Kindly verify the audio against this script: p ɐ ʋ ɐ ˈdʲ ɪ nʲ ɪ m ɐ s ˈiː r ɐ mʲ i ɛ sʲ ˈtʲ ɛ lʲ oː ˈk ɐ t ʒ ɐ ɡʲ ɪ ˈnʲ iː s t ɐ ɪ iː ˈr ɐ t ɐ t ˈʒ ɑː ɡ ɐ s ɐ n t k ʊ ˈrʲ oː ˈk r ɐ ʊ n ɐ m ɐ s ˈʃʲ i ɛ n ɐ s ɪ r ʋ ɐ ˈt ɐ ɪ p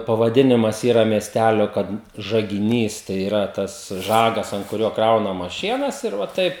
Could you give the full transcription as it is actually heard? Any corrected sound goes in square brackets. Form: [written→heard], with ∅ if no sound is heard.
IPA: p ɐ ʋ ɐ ˈdʲ ɪ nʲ ɪ m ɐ s ˈiː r ɐ mʲ i ɛ sʲ ˈtʲ [ɛ→æ] lʲ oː ˈk ɐ t ʒ ɐ ɡʲ ɪ ˈnʲ iː s t ɐ ɪ iː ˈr ɐ t ɐ [t→s] ˈʒ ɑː ɡ ɐ s ɐ n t k ʊ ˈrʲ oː ˈk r ɐ ʊ n ɐ m ɐ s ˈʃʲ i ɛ n ɐ s ɪ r ʋ ɐ ˈt ɐ ɪ p

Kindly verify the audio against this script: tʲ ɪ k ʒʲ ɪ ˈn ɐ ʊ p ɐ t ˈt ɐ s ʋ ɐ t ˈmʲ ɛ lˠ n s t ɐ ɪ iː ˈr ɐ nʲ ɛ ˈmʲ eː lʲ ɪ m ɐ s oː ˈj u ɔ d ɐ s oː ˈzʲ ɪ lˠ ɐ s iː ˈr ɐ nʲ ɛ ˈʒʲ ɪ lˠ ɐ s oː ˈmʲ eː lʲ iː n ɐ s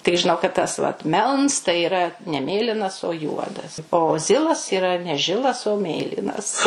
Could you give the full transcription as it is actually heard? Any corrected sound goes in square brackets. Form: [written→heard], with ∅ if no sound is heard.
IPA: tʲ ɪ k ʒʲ ɪ ˈn ɐ ʊ [p→k] ɐ t ˈt ɐ s ʋ ɐ t ˈmʲ ɛ lˠ n s t ɐ ɪ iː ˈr ɐ nʲ ɛ ˈmʲ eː lʲ ɪ [m→n] ɐ s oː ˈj u ɔ d ɐ s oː ˈzʲ ɪ lˠ ɐ s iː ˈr ɐ nʲ ɛ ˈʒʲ ɪ lˠ ɐ s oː ˈmʲ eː lʲ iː n ɐ s

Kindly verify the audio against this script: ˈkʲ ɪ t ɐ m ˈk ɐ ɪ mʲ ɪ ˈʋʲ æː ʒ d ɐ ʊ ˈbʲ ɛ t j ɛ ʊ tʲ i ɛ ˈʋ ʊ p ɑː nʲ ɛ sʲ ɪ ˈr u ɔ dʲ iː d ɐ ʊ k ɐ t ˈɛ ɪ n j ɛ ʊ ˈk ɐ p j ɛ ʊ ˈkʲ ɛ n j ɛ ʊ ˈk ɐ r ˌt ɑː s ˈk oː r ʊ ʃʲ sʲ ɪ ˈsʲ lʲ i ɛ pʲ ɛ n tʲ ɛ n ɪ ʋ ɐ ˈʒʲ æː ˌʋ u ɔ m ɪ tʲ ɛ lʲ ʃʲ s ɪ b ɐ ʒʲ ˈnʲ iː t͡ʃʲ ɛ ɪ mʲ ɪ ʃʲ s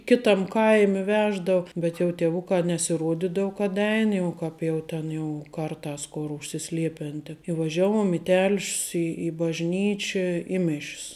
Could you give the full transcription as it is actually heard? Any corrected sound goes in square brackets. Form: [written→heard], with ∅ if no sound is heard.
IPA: ˈkʲ ɪ t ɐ m ˈk ɐ ɪ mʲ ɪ ˈʋʲ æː ʒ d ɐ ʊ ˈbʲ ɛ t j ɛ ʊ tʲ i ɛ ˈʋ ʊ [p→k] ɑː nʲ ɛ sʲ ɪ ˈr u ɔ dʲ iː d ɐ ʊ k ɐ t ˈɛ ɪ n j ɛ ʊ ˈk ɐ p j ɛ ʊ [ˈkʲ→ˈtʲ] ɛ n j ɛ ʊ ˈk ɐ r ˌt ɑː s ˈk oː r ʊ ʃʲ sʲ ɪ ˈsʲ lʲ i ɛ pʲ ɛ n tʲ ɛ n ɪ ʋ ɐ ˈʒʲ æː ˌʋ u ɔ m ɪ tʲ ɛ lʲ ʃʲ s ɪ b ɐ ʒʲ ˈnʲ iː t͡ʃʲ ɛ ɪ mʲ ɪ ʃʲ s

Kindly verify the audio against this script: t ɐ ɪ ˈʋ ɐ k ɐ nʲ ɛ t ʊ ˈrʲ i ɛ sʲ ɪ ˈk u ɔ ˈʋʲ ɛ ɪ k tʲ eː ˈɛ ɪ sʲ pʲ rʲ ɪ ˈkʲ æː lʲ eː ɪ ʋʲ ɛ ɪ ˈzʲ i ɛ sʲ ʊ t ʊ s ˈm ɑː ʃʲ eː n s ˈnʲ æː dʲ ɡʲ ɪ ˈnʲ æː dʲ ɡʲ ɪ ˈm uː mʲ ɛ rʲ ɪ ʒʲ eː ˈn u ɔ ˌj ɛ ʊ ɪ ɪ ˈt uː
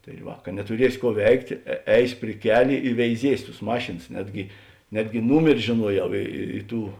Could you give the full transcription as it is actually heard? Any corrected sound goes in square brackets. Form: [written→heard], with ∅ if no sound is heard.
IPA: t ɐ ɪ ˈʋ ɐ k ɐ nʲ ɛ t ʊ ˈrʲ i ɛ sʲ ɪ ˈk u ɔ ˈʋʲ ɛ ɪ k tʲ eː ˈɛ ɪ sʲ pʲ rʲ ɪ ˈkʲ æː lʲ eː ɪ ʋʲ ɛ ɪ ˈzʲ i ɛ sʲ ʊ t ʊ s ˈm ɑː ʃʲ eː n s ˈnʲ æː dʲ ɡʲ ɪ ˈnʲ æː dʲ ɡʲ ɪ [ˈm→ˈn] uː mʲ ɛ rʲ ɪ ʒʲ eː ˈn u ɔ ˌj ɛ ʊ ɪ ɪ ˈt uː

